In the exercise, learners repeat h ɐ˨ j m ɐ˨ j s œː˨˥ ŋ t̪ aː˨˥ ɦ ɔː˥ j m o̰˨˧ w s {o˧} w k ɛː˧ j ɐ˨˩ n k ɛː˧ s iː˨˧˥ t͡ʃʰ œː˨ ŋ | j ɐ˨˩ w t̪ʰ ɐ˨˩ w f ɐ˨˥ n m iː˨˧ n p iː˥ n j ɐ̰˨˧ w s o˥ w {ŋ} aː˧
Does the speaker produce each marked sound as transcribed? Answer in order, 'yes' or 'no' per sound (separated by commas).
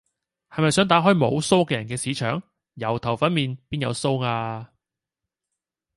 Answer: no, yes